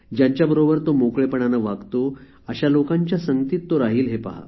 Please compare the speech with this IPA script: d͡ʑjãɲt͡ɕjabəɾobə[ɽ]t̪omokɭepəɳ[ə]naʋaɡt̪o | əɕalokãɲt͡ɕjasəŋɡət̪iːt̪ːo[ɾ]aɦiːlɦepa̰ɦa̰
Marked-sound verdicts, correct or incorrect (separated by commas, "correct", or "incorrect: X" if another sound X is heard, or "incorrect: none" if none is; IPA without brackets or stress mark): incorrect: ɾ, incorrect: a, correct